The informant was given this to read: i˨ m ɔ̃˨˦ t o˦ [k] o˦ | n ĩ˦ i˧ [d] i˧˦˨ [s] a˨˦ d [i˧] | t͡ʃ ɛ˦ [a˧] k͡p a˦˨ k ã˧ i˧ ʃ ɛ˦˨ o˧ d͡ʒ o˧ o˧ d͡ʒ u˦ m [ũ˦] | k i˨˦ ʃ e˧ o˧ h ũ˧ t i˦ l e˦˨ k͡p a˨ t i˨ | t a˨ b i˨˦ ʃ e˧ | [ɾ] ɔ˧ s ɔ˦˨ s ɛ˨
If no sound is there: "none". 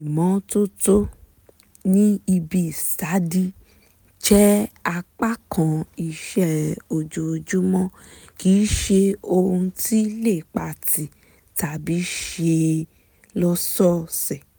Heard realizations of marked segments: t, b, s, i˧, a˧, ɔ̃˦, l

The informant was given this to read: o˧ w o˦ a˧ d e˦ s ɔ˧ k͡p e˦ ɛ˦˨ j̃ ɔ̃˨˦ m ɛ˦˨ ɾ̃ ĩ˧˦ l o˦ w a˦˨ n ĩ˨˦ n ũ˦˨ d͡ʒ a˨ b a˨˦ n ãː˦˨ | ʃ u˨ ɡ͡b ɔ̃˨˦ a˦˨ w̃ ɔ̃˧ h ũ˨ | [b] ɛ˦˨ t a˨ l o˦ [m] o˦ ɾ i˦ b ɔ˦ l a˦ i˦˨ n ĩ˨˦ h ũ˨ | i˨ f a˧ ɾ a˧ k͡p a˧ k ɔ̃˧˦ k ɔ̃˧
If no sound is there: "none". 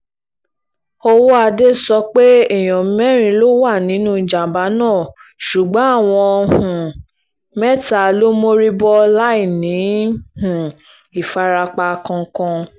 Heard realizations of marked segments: m, m

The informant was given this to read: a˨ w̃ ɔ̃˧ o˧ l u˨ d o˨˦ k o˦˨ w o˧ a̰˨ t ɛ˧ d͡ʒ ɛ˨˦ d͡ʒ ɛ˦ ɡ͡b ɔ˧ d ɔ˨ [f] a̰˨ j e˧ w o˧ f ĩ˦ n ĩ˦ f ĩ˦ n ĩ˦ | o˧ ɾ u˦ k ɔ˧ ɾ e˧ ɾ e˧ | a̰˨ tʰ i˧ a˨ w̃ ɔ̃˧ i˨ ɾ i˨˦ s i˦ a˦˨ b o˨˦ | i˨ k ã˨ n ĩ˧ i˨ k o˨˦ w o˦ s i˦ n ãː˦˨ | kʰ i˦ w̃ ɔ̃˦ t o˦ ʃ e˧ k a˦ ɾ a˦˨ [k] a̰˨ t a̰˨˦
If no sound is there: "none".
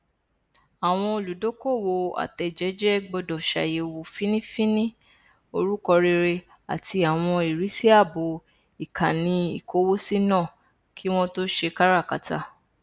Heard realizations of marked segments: ʃ, k

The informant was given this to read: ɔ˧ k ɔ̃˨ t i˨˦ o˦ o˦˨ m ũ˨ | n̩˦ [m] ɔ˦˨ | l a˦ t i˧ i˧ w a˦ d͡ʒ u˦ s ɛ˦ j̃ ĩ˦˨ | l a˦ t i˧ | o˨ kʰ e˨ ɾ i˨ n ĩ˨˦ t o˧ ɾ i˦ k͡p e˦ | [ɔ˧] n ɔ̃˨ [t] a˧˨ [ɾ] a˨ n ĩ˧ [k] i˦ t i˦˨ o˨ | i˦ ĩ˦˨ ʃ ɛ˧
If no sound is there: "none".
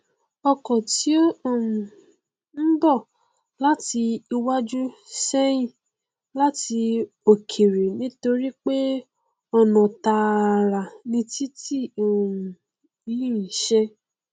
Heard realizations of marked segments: b, ɔ˧, t, ɾ, t

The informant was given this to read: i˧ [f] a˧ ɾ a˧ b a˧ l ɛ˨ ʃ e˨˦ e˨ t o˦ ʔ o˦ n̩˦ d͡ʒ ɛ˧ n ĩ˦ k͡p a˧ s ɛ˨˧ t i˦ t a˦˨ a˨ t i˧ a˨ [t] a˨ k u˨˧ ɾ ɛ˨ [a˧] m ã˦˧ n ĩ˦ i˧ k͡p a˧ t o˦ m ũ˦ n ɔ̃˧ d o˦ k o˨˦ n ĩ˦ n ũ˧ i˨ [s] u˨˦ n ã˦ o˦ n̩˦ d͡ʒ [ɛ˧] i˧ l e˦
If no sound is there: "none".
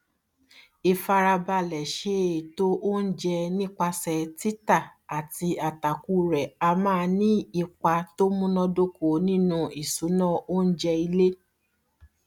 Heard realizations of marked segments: f, t, a˧, s, ɛ˧

